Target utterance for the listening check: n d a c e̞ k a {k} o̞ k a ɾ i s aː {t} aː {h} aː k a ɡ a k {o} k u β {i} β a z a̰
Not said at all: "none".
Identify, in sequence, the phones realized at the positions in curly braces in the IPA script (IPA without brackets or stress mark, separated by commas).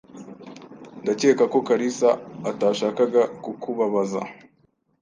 k, t, ʃ, u, a